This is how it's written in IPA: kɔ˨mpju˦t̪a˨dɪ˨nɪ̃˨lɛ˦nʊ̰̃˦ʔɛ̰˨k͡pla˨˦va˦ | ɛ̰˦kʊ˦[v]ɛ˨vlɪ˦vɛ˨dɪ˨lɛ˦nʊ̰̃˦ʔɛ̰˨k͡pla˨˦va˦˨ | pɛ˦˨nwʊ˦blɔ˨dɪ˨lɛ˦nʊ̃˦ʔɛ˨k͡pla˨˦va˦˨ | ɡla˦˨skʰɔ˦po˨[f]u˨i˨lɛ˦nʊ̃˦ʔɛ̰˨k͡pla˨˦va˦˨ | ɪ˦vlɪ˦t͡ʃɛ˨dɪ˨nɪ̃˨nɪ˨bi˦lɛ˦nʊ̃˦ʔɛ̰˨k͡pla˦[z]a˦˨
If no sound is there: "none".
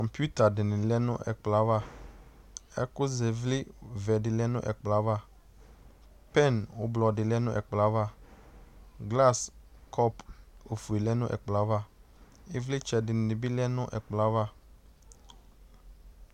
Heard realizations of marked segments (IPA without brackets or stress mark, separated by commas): z, f, v